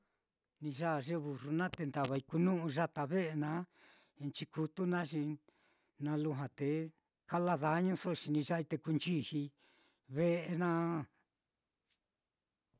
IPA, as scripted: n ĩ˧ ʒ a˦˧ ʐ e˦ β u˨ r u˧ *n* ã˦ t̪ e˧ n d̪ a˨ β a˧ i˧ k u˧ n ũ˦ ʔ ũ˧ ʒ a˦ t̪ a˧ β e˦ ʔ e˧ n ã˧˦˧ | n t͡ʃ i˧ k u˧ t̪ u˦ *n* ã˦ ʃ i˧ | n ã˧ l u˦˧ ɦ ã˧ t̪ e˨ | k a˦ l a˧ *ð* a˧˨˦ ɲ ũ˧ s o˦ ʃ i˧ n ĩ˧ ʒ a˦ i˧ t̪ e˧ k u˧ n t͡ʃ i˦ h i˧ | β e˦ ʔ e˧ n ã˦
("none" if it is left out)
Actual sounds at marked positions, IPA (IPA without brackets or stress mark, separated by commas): n, n, ð